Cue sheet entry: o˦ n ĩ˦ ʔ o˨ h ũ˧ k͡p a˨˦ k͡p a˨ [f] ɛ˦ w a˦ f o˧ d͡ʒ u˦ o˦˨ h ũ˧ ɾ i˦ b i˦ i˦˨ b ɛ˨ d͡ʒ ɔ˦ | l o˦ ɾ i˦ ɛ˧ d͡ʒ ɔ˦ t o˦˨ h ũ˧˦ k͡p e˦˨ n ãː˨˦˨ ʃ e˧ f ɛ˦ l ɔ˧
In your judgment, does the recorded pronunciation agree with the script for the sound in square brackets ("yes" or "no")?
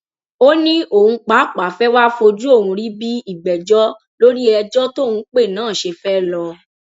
yes